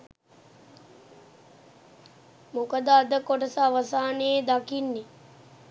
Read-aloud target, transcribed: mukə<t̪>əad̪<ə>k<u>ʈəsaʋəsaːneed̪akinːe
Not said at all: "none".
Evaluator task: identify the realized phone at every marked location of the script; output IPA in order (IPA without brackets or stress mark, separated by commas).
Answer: d̪, ə, o